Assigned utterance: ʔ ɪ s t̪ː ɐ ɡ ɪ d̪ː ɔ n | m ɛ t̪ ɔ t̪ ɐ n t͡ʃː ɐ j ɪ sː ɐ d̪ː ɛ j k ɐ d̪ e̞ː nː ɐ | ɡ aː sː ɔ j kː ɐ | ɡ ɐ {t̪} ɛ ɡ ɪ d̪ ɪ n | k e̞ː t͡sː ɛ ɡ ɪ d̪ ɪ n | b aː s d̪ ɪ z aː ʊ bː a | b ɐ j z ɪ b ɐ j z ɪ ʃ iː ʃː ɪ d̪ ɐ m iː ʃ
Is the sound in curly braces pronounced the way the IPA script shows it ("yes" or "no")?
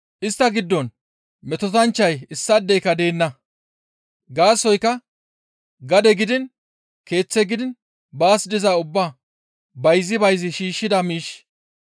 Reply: no